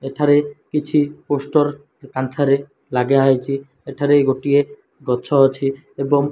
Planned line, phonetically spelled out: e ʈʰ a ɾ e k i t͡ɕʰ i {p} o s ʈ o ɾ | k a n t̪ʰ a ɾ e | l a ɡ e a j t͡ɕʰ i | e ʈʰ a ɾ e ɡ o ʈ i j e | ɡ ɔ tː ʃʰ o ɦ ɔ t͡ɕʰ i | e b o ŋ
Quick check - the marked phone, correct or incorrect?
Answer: correct